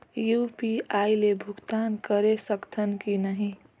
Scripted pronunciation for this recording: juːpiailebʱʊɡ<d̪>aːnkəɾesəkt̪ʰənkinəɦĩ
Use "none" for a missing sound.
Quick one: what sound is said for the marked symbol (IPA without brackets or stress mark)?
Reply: t̪